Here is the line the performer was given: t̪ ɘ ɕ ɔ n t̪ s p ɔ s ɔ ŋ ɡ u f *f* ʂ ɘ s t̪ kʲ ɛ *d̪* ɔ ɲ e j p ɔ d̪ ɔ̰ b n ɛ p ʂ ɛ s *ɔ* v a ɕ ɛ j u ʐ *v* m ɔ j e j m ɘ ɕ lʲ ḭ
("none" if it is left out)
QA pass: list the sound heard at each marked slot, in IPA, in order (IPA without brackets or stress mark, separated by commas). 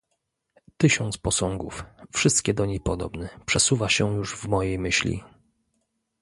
f, d̪, u, v